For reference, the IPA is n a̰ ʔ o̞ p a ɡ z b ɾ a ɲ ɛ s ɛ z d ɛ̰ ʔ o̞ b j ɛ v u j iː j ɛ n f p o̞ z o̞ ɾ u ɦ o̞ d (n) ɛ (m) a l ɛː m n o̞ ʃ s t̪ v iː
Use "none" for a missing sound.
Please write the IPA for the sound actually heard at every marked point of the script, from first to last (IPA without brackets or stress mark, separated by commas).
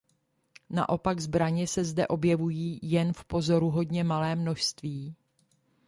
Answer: ɲ, m